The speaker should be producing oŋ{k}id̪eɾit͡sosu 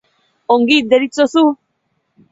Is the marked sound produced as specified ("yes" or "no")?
no